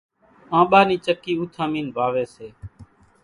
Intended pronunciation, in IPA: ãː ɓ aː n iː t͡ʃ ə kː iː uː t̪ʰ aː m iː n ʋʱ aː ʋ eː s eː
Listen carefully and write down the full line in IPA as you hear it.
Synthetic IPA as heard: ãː ɓ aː n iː t͡ʃ ə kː iː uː t̪ʰ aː m iː n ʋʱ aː ʋ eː s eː